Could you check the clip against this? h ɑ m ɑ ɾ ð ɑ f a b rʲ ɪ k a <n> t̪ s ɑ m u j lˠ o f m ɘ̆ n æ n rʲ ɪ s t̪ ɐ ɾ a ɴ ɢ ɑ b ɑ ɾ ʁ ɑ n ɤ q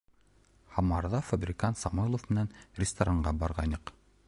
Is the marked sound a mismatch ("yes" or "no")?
no